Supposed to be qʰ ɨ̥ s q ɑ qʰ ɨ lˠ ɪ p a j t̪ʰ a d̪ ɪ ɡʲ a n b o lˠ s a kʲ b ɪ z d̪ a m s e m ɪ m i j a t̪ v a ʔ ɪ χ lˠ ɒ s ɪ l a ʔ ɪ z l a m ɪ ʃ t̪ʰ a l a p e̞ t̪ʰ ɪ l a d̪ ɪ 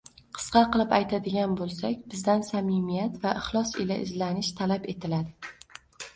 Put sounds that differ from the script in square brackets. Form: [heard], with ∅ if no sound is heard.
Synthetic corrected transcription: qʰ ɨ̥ s q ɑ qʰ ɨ lˠ ɪ p a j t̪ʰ a d̪ ɪ ɡʲ a n b o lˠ s a kʲ b ɪ z d̪ a [n] s [a] m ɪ m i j a t̪ v a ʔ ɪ χ lˠ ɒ s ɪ l a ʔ ɪ z l a [n] ɪ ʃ t̪ʰ a l a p e̞ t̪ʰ ɪ l a d̪ ɪ